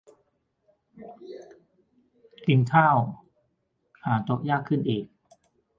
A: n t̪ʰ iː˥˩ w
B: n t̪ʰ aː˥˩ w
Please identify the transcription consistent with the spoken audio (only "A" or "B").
B